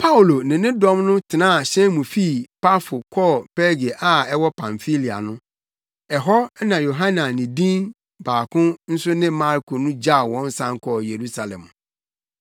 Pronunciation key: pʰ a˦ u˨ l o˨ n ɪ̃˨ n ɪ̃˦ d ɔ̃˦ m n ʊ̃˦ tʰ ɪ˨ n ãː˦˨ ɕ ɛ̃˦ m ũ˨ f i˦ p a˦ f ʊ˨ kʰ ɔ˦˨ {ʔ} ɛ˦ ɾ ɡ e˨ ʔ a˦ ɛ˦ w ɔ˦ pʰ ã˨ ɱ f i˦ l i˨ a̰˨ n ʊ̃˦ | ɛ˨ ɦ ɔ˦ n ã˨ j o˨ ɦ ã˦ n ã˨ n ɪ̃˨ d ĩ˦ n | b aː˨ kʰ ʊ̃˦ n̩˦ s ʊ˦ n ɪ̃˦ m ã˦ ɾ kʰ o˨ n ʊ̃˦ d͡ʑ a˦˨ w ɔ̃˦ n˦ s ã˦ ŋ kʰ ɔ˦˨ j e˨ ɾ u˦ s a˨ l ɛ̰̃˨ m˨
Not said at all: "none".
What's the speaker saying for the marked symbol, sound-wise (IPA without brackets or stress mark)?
p